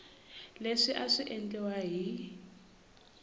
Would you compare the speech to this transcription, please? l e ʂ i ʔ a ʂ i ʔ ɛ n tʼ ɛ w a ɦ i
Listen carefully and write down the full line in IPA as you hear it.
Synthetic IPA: l e ʂ i ʔ a ʂ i ʔ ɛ n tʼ ɛ w a ɦ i